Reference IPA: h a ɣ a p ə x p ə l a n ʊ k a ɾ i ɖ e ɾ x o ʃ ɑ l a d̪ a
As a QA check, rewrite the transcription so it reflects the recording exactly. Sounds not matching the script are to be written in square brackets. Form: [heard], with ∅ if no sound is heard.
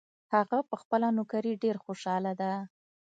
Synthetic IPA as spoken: h a ɣ a p ə x p ə l a n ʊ k a ɾ i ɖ e ɾ x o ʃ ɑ l a d̪ a